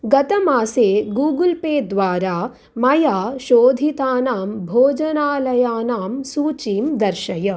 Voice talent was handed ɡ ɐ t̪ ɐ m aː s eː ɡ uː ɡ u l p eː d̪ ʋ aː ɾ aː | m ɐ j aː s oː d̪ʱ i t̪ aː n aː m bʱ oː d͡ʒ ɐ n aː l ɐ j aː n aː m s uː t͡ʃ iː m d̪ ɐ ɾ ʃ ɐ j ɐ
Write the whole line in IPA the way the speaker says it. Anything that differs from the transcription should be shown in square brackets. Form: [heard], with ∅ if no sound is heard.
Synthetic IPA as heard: ɡ ɐ t̪ ɐ m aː s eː ɡ uː ɡ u l p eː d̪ ʋ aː ɾ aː | m ɐ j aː [ʃ] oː d̪ʱ i t̪ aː n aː m bʱ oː d͡ʒ ɐ n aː l ɐ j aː n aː m s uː t͡ʃ iː m d̪ ɐ ɾ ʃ ɐ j ɐ